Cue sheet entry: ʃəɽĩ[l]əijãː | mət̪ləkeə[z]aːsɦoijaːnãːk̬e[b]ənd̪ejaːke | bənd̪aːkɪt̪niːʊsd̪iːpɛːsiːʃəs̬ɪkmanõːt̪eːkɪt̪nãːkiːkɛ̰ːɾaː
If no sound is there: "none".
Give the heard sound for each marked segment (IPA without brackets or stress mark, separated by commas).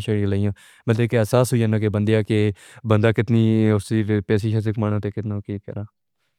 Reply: l, s, b